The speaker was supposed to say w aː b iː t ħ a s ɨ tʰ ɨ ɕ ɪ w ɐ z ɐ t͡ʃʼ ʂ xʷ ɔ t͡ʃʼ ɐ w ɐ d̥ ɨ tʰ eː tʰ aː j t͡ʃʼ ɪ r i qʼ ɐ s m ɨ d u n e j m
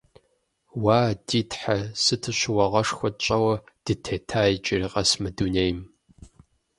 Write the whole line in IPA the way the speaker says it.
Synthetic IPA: w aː d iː t ħ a s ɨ tʰ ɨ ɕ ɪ w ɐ ʁ ɐ ʂ xʷ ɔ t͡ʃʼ ɐ w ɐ d̥ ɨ tʰ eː tʰ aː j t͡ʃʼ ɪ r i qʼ ɐ s m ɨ d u n e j m